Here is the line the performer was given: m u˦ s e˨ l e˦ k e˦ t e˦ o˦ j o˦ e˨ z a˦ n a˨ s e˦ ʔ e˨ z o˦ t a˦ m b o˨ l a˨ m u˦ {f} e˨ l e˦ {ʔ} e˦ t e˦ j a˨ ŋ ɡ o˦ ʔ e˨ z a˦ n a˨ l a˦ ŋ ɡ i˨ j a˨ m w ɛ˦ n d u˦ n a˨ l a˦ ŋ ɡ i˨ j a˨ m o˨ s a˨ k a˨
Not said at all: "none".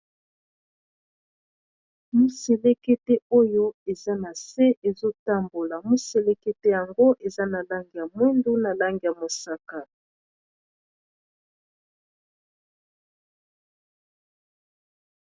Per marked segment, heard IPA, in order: s, k

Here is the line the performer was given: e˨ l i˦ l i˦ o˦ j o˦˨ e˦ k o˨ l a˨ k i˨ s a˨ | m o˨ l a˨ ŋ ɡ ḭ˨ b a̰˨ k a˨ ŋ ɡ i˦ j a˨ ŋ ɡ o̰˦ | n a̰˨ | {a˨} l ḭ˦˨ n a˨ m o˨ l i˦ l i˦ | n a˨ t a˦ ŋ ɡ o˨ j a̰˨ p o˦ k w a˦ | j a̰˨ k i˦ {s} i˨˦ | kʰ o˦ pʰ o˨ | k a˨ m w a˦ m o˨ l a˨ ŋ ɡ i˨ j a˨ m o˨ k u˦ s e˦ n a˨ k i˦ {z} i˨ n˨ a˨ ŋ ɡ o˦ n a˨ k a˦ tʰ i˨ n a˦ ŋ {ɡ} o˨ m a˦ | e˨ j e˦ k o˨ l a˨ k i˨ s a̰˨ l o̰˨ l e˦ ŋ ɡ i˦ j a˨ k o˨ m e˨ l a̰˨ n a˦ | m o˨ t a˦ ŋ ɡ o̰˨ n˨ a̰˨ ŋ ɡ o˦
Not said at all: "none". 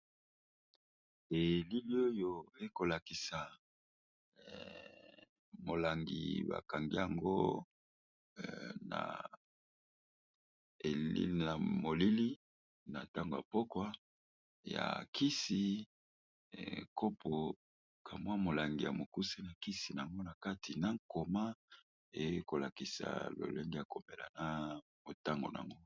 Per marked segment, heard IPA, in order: e˨, s, s, k

